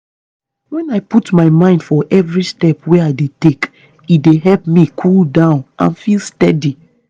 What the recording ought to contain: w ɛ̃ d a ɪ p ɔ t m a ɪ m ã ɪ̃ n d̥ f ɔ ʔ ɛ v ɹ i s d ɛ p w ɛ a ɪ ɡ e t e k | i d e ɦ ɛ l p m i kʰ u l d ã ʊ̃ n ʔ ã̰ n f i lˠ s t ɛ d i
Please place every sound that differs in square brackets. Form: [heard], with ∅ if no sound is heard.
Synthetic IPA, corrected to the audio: w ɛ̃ [n] a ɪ p [u] t m a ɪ m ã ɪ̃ n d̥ f ɔ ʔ ɛ v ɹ i s [t] ɛ p w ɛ a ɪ [d] e t e k | i d e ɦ ɛ l p m i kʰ u l d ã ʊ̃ n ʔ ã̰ n f i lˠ s t ɛ d i